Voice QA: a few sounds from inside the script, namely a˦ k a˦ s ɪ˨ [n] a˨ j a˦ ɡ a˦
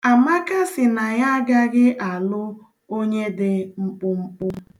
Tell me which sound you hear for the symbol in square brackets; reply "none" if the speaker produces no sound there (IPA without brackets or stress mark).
n